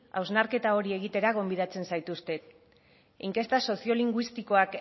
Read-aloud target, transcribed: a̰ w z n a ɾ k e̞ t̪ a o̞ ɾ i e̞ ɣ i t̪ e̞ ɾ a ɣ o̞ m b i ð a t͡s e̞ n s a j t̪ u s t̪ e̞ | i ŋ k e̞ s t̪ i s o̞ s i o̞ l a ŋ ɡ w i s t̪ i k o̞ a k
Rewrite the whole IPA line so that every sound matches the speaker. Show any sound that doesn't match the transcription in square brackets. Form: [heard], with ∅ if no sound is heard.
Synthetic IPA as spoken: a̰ w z n a ɾ k e̞ t̪ a o̞ ɾ i e̞ ɣ i t̪ e̞ ɾ a ɣ o̞ m b i ð a t͡s e̞ n s a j t̪ u s t̪ e̞ | i ŋ k e̞ s t̪ [a] s o̞ s i o̞ l [i] ŋ ɡ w i s t̪ i k o̞ a k